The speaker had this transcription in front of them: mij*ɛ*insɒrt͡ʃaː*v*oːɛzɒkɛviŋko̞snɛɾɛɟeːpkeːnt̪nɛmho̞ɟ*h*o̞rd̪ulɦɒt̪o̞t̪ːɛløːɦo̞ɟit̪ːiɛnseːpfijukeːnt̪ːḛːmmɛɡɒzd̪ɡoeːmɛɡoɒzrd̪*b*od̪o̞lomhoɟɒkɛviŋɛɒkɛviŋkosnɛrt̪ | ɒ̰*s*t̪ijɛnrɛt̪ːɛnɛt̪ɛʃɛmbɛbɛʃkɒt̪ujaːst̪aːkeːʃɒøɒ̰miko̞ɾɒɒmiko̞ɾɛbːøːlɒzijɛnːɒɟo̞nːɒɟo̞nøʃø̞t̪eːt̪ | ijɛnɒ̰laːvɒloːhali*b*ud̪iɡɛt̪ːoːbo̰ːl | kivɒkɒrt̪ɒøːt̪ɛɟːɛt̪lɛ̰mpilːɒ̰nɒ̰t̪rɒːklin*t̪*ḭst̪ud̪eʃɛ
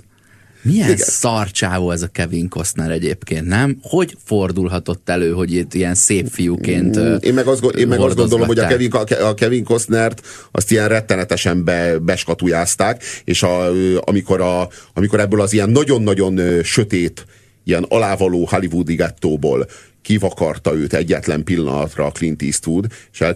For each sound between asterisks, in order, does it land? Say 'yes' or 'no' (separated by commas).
yes, yes, no, no, yes, no, yes